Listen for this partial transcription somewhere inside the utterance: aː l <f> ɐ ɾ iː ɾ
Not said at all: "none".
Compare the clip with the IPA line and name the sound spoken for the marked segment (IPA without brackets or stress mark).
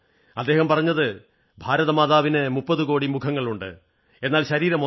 ɕ